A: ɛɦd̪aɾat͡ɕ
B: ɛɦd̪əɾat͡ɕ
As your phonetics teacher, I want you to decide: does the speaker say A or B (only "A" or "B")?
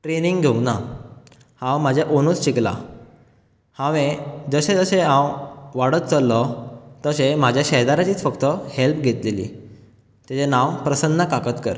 A